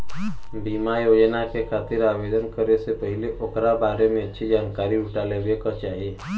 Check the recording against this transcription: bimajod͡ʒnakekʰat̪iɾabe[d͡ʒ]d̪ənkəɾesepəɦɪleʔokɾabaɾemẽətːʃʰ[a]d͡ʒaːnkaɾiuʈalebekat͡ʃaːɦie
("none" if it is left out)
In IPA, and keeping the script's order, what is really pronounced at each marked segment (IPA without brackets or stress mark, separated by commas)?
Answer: none, i